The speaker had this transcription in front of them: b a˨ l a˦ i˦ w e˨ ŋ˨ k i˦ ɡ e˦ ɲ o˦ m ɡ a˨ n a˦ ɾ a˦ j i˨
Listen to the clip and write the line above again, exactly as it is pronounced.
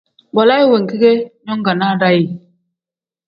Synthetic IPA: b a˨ l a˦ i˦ w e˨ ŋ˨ k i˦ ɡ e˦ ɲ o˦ ŋ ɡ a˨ n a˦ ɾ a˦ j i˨